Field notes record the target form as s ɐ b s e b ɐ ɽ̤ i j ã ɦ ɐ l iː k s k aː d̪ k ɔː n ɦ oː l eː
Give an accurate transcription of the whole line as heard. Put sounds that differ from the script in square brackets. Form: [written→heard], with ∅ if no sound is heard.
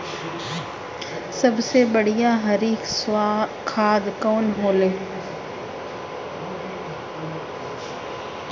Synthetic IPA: s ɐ b s e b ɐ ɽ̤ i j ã ɦ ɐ [l→ɾ] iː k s [k→kʰ] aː d̪ k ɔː n ɦ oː l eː